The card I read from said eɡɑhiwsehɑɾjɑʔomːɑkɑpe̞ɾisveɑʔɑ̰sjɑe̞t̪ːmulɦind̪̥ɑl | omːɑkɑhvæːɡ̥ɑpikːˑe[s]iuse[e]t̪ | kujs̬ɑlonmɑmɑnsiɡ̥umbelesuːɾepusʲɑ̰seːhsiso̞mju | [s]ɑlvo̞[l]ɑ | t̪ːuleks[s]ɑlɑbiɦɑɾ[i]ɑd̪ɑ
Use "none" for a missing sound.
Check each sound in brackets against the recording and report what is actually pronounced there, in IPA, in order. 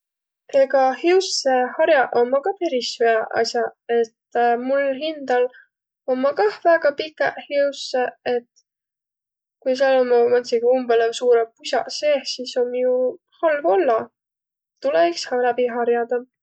h, e, h, lː, h, j

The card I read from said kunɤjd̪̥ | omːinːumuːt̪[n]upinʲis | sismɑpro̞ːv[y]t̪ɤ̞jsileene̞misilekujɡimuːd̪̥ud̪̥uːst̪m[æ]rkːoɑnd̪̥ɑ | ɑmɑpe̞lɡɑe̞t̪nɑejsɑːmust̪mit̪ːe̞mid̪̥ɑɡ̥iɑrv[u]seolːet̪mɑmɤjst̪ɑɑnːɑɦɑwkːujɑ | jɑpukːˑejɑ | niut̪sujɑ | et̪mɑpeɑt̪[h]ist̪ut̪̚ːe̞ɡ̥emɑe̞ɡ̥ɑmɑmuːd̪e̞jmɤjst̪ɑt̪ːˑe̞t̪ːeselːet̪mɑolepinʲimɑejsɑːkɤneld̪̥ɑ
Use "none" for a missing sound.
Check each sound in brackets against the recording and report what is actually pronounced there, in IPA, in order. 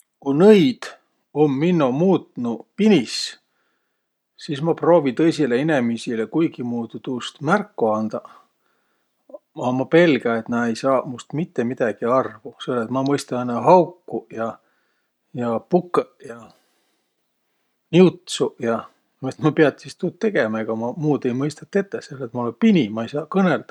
n, i, æ, u, s

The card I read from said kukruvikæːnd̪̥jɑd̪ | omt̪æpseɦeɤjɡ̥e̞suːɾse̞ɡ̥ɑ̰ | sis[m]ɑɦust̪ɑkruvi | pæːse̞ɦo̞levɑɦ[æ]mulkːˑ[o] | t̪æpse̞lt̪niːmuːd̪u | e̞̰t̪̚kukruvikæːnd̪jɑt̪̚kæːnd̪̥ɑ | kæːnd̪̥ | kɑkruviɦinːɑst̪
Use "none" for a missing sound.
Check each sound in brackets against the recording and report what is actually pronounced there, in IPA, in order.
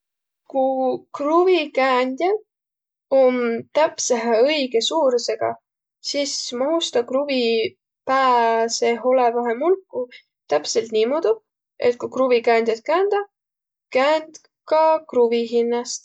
m, e, u

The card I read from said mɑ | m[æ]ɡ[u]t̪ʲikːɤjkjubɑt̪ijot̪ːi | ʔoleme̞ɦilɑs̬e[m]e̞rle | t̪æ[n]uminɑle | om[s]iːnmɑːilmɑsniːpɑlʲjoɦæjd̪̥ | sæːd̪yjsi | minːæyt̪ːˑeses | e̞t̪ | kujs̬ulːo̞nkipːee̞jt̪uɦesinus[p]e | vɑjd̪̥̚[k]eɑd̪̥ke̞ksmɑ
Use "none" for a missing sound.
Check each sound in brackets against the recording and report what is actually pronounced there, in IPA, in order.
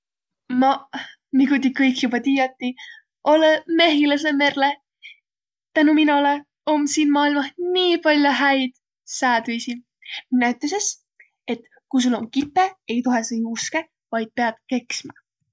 i, u, m, n, s, k, p

